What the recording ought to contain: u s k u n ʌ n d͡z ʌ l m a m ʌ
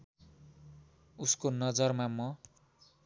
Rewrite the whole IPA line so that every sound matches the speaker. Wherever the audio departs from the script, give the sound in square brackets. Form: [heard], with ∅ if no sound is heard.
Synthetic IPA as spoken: u s k [o] n ʌ [∅] d͡z ʌ [r] m a m ʌ